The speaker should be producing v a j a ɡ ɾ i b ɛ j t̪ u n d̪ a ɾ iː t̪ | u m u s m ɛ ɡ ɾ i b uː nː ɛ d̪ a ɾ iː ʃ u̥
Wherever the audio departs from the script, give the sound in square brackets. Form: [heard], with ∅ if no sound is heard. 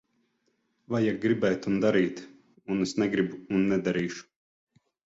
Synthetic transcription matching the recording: v a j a ɡ ɾ i b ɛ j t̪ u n d̪ a ɾ iː t̪ | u [n] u s [n] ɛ ɡ ɾ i b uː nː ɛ d̪ a ɾ iː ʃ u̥